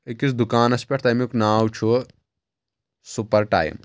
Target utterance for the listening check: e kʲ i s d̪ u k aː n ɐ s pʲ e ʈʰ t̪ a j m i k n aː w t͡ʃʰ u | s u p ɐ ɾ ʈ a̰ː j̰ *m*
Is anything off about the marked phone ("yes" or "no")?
no